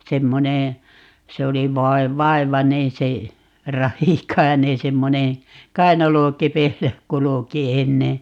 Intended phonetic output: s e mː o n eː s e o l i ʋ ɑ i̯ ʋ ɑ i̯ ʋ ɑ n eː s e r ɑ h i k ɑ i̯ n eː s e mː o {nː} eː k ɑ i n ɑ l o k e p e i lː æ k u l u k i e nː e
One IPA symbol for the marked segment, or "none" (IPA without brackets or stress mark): n